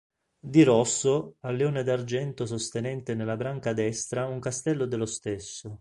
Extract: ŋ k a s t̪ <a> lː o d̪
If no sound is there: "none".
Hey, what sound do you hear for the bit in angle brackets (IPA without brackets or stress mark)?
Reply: ɛ